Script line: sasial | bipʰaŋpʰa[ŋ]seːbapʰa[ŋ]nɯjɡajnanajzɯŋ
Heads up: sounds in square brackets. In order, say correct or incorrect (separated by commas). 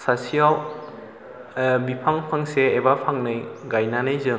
correct, correct